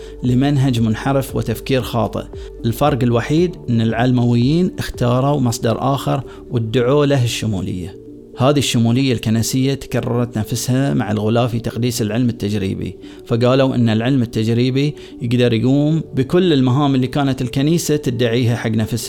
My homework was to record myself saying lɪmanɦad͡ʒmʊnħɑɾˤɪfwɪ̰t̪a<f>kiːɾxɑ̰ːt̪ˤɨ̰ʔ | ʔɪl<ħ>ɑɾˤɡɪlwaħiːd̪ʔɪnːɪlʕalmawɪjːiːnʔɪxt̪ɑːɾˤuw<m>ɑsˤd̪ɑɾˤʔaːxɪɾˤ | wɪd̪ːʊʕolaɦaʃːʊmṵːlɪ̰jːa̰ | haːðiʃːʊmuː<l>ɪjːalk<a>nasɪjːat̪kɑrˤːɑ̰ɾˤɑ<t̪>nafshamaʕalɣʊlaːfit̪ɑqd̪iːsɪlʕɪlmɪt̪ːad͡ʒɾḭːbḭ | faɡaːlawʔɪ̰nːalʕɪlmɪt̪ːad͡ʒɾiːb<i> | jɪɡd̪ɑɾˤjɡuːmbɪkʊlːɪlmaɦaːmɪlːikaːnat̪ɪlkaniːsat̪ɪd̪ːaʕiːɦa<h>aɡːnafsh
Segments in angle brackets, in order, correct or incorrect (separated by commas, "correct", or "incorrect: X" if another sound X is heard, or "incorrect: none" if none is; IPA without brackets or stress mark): correct, incorrect: f, correct, correct, correct, correct, correct, incorrect: ħ